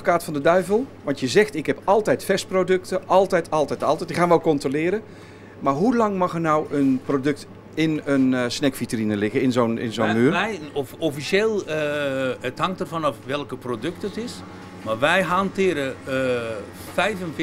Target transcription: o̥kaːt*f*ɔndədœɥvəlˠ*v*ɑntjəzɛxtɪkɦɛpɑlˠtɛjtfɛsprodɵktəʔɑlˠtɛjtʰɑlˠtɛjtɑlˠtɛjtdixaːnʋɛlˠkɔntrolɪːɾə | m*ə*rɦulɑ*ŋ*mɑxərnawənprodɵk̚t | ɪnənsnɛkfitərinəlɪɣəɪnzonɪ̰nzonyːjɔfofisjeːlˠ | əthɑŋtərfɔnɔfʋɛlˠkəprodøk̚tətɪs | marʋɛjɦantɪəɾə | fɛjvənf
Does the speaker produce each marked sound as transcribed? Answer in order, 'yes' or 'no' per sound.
yes, no, no, yes

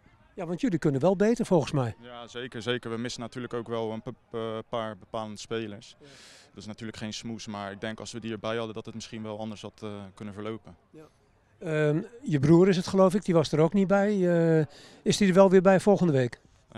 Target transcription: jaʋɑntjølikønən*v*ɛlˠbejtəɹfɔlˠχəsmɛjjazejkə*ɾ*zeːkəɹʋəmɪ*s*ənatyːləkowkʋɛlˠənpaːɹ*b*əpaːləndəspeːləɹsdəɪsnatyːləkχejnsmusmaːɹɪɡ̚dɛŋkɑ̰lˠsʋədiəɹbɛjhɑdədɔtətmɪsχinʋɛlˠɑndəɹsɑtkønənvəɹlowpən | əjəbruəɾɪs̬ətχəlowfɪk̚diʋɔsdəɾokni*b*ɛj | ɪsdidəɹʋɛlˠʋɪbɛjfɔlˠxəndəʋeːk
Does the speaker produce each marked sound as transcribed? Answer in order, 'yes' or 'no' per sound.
no, no, yes, yes, yes

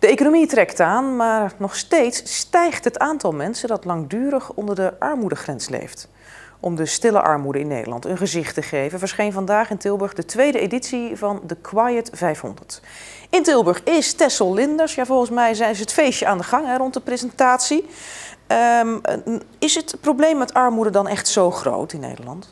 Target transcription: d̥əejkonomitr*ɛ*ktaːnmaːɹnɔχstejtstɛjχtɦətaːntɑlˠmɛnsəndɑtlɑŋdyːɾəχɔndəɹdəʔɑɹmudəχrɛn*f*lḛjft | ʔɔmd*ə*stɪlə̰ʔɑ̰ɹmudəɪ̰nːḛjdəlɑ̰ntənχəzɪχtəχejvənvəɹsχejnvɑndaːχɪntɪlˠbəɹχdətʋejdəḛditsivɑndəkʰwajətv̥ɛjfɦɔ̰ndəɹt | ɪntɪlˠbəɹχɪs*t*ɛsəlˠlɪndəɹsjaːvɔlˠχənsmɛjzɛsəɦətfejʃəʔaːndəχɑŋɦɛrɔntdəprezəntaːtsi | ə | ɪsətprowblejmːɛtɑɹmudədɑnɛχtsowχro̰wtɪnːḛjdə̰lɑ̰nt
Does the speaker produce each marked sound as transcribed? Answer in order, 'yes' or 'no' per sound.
yes, no, yes, yes

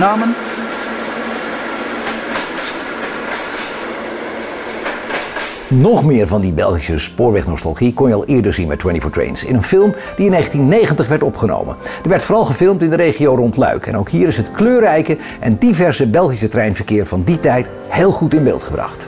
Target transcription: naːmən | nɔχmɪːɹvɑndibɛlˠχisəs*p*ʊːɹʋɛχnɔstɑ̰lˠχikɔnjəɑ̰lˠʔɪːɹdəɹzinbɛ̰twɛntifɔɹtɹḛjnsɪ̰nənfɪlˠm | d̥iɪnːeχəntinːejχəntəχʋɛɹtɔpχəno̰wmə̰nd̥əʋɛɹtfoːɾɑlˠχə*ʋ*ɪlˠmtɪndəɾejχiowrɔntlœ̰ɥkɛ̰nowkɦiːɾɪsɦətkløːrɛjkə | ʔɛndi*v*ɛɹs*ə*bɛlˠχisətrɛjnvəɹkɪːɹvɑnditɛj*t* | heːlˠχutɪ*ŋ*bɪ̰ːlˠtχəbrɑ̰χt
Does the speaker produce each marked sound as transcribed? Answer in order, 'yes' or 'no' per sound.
yes, no, yes, yes, yes, no

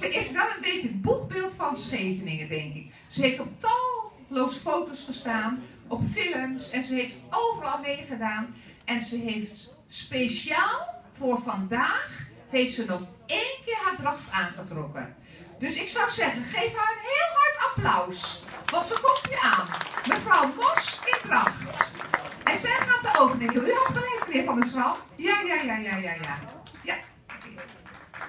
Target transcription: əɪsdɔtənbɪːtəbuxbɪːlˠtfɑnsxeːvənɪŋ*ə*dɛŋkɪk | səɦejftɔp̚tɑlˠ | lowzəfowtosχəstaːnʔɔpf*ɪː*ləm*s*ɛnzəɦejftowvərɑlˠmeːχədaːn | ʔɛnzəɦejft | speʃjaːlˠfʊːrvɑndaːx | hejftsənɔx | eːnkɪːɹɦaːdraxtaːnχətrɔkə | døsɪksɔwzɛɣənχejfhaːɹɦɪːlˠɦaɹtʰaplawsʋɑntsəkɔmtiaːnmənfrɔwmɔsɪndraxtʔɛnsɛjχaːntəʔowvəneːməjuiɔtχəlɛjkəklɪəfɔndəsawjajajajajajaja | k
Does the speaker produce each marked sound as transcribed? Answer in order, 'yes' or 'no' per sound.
yes, no, yes

